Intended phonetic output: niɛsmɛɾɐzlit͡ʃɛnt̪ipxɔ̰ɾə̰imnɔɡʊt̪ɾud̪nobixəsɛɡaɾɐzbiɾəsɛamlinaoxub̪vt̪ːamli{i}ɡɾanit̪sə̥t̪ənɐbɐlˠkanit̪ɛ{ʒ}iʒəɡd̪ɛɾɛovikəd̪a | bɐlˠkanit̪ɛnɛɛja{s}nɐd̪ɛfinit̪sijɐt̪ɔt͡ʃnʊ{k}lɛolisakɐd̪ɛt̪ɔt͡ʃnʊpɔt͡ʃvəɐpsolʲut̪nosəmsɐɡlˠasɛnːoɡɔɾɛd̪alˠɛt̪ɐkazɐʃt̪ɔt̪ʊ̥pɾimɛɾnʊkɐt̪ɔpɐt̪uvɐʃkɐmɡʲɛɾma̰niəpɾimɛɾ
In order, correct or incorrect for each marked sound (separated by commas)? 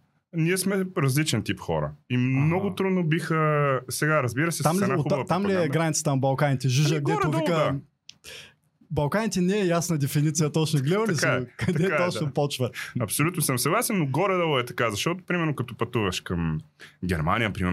incorrect, correct, correct, incorrect